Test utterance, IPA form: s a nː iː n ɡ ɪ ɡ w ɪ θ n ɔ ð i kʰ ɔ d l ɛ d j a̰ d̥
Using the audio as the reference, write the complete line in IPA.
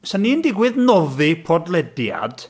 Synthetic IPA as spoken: s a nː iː n d ɪ ɡ w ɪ ð n ɔ ð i pʰ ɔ d l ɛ d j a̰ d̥

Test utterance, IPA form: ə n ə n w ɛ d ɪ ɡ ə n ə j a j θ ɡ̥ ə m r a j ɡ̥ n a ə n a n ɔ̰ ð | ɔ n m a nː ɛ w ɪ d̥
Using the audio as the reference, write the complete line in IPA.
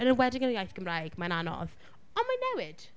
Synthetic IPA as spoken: ə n ə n w ɛ d ɪ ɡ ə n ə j a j θ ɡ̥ ə m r a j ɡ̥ m a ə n a n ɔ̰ ð | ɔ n m a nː ɛ w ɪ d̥

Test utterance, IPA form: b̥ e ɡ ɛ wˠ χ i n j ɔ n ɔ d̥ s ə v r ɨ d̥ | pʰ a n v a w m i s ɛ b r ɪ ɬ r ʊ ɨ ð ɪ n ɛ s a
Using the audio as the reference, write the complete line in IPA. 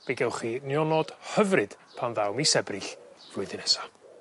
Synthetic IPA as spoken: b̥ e ɡ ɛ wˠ χ i n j ɔ n ɔ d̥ h ə v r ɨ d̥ | pʰ a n ð a w m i s ɛ b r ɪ ɬ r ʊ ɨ ð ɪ n ɛ s a

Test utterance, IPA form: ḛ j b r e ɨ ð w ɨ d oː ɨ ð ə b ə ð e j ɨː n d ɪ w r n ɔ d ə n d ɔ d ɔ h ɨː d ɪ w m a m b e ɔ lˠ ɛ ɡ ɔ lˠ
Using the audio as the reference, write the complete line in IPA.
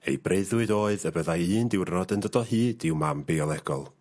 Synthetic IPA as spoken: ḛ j b r e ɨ ð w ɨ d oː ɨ ð ə b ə ð a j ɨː n d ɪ w r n ɔ d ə n d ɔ d ɔ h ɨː d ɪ w m a m b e ɔ lˠ ɛ ɡ ɔ lˠ

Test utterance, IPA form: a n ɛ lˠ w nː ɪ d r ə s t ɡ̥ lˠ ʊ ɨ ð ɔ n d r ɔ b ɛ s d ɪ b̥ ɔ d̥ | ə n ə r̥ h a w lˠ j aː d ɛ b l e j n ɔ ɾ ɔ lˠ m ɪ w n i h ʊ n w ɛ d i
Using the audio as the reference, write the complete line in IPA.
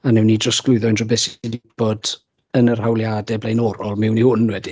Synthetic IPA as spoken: a n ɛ w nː i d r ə s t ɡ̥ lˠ ʊ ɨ ð ɔ n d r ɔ b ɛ s d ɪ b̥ ɔ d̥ | ə n ə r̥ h a w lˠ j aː d ɛ b l e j n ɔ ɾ ɔ lˠ m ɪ w n i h ʊ n w ɛ d i

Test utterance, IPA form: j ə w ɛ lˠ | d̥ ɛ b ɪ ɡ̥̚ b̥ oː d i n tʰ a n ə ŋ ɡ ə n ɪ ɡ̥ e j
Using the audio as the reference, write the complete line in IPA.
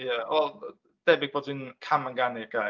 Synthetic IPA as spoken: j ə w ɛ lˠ | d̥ ɛ b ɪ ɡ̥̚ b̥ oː d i n kʰ a m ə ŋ ɡ a n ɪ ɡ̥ a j

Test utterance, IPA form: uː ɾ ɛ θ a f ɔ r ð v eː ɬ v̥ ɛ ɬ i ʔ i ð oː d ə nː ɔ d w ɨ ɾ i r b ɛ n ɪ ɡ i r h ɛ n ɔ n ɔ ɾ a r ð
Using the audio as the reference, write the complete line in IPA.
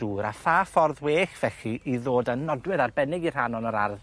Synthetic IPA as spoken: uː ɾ a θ a f ɔ r ð w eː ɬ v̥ ɛ ɬ i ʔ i ð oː d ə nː ɔ d w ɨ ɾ a r b ɛ n ɪ ɡ i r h a n ɔ n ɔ ɾ a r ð

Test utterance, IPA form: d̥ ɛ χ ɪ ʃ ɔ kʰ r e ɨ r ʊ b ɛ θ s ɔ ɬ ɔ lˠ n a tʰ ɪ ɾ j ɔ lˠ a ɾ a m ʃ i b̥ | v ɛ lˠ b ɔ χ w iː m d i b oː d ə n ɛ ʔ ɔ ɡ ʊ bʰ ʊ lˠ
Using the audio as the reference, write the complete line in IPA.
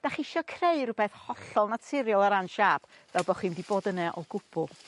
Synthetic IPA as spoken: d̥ a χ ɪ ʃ ɔ kʰ r e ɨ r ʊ b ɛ θ h ɔ ɬ ɔ lˠ n a tʰ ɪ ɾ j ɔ lˠ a ɾ a n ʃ a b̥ | v ɛ lˠ b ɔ χ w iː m d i b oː d ə n ɛ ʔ ɔ ɡ ʊ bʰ ʊ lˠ

